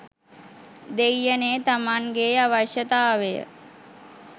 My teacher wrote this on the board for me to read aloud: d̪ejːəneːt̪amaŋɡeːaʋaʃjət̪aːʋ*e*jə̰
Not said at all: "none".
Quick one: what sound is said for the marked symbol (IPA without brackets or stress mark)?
e